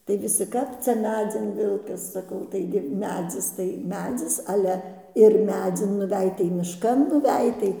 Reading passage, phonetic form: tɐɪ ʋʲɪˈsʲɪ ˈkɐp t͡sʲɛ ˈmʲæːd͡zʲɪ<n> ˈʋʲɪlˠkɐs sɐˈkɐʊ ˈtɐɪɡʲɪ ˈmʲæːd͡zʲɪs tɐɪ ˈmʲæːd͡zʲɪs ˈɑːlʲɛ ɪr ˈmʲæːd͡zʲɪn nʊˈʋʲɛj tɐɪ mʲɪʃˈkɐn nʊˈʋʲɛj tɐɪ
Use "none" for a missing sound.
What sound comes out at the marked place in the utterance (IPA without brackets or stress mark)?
n